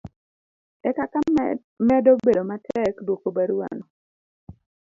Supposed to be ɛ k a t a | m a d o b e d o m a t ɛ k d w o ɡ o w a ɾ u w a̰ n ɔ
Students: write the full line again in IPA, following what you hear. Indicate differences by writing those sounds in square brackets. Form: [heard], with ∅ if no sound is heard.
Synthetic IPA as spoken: ɛ k a [k] a | m [ɛ] d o b e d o m a t ɛ k d w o [k] o [b] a ɾ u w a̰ n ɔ